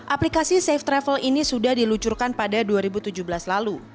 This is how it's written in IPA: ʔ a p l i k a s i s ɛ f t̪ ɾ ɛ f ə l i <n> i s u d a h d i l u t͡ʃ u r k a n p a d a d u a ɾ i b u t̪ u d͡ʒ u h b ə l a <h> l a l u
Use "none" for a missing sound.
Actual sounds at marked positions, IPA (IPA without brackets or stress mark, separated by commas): n, s